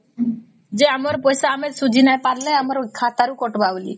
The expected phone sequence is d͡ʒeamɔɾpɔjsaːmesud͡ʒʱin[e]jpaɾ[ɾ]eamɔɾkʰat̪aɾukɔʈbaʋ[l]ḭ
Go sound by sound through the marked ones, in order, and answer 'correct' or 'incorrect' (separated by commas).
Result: incorrect, incorrect, correct